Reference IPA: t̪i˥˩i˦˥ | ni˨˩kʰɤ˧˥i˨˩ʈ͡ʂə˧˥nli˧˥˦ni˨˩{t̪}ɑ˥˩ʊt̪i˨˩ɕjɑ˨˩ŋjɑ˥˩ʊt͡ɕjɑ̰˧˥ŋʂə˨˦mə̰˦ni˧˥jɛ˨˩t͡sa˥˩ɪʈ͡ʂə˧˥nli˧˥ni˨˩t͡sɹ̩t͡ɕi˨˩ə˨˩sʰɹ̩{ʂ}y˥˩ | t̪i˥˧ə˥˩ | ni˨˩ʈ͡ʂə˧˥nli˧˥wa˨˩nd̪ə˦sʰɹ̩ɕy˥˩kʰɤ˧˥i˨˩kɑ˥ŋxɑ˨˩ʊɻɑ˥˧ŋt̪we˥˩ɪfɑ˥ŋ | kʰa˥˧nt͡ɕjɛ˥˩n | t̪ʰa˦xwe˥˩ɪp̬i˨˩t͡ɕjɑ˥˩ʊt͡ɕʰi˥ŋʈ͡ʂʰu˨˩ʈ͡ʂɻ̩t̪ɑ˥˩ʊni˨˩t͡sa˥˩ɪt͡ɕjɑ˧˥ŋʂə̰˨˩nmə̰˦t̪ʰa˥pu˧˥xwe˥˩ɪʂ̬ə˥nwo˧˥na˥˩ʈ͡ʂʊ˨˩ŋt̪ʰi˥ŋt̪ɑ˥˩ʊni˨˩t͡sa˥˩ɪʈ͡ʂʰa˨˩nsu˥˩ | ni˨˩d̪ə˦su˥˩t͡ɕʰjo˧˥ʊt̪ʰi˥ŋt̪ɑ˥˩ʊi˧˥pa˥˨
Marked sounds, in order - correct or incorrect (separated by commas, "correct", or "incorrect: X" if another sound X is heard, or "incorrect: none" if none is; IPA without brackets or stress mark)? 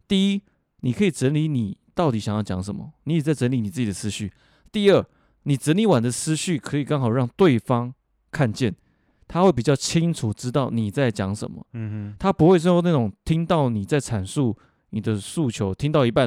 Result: correct, incorrect: ɕ